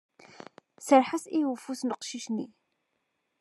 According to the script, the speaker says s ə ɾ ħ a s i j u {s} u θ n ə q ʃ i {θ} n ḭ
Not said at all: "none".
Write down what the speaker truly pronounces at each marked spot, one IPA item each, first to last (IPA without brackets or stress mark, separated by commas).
f, ʃ